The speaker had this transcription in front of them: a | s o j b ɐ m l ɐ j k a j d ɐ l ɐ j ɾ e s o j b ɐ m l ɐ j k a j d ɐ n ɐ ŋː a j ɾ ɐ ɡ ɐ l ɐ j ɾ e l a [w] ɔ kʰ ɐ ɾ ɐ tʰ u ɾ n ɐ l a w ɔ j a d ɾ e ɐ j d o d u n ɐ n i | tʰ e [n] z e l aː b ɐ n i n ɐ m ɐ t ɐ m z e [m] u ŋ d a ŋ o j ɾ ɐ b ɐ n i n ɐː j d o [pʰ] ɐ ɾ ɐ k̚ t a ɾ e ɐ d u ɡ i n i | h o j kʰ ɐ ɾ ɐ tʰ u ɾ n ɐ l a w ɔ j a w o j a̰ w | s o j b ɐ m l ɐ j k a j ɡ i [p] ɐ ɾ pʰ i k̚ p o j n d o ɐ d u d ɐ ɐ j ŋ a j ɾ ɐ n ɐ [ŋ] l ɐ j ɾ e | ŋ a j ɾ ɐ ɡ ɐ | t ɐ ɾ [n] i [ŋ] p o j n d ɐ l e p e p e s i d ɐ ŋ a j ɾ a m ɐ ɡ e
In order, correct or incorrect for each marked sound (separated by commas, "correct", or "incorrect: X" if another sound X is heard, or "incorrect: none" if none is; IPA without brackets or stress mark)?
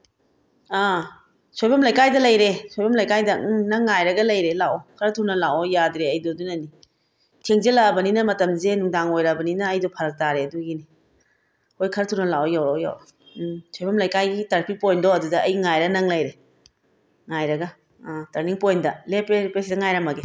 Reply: correct, incorrect: ŋ, incorrect: n, correct, incorrect: t, correct, correct, correct